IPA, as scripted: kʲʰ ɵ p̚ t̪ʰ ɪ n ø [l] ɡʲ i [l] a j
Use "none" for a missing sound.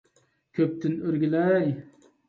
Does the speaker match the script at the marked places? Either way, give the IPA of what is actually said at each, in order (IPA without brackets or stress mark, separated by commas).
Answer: ɾ, l